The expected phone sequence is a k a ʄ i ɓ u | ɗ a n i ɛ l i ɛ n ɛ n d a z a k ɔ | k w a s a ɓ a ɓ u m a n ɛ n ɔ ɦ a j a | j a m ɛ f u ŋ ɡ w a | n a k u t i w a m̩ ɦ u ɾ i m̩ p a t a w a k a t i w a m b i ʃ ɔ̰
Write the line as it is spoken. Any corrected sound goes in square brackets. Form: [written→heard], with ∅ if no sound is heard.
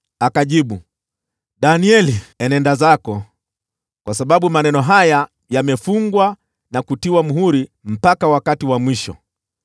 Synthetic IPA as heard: a k a ʄ i ɓ u | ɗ a n i ɛ l i ɛ n ɛ n d a z a k ɔ | k w a s a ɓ a ɓ u m a n ɛ n ɔ ɦ a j a | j a m ɛ f u ŋ ɡ w a | n a k u t i w a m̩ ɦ u ɾ i m̩ p a [t→k] a w a k a t i w a m [b→w] i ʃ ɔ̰